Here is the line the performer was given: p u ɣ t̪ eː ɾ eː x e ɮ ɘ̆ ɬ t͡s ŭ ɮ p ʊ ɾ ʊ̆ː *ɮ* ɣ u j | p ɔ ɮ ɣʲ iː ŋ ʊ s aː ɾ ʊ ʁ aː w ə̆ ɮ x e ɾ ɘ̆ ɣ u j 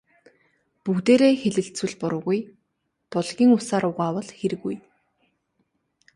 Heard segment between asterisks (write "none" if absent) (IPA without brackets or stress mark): none